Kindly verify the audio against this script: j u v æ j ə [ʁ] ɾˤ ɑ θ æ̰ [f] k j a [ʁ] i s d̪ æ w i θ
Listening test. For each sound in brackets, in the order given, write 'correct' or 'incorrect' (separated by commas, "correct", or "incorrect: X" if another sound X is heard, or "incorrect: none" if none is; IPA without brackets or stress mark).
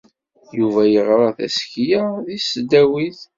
correct, incorrect: s, incorrect: ð